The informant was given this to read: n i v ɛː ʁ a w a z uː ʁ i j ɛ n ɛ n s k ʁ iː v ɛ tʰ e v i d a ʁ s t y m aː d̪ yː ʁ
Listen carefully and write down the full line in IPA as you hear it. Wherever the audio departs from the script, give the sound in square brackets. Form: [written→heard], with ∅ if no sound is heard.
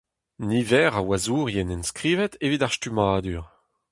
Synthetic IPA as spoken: n i v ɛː ʁ a w a z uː ʁ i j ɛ n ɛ n s k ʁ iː v ɛ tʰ e v i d a ʁ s t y m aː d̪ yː ʁ